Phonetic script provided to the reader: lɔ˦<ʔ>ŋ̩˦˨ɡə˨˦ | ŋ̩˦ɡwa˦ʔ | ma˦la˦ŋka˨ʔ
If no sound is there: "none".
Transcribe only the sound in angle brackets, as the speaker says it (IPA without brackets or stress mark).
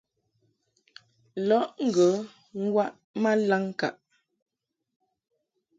ʔ